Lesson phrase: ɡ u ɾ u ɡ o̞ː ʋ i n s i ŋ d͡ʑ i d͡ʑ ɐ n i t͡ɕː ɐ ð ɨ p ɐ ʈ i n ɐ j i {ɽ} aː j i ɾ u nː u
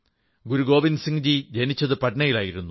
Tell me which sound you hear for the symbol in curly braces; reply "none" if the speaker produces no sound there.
l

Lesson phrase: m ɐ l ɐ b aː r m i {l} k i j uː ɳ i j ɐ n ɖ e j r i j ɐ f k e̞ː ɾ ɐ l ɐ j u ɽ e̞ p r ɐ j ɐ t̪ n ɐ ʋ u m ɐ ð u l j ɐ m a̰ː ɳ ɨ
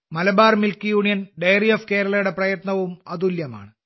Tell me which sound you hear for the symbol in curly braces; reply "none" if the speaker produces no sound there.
l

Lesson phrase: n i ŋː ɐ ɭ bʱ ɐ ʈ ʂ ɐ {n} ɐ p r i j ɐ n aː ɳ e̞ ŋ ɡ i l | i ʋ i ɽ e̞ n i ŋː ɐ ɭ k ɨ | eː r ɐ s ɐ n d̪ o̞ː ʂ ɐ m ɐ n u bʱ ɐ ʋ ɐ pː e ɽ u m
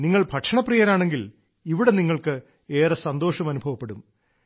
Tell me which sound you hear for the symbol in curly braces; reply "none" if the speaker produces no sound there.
ɳ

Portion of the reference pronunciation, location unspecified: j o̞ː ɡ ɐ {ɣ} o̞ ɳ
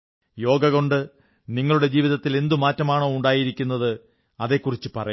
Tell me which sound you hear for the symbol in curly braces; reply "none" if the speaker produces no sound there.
ɣ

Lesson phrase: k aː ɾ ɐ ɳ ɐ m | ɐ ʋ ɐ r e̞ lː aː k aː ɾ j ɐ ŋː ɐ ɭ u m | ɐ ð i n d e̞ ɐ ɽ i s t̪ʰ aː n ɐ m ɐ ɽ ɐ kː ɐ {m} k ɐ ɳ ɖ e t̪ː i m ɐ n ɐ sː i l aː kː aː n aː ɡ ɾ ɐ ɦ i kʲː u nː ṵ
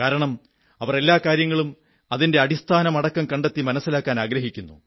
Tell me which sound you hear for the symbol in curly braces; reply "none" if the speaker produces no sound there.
m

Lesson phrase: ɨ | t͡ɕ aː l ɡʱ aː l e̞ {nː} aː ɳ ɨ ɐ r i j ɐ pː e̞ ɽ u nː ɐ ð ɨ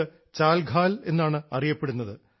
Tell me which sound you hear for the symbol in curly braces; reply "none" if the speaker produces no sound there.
nː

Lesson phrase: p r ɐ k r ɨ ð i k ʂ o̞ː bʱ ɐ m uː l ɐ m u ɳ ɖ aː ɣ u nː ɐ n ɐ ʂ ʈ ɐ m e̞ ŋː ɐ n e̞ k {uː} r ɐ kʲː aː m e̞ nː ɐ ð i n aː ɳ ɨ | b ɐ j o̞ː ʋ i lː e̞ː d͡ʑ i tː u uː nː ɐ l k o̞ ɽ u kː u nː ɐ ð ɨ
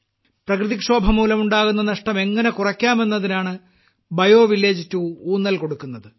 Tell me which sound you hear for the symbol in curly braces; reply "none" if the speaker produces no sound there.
u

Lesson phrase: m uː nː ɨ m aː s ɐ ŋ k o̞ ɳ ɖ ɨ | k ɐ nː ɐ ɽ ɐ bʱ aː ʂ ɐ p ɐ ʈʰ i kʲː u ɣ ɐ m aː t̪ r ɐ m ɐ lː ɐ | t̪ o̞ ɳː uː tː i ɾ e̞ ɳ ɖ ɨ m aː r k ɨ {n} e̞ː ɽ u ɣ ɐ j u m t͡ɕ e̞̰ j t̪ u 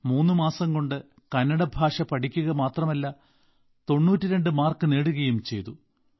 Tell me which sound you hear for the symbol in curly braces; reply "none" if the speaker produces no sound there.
n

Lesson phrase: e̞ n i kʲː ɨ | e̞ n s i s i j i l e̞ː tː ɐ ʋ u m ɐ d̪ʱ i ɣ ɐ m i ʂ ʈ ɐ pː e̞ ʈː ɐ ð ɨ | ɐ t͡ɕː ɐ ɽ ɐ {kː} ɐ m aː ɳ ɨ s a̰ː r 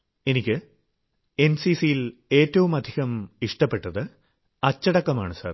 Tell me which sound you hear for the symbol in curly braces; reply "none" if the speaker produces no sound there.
kː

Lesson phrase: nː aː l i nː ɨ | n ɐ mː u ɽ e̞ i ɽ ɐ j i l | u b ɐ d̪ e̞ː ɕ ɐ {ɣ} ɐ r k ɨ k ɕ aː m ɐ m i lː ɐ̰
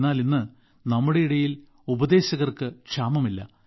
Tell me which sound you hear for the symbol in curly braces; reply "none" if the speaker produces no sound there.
ɣ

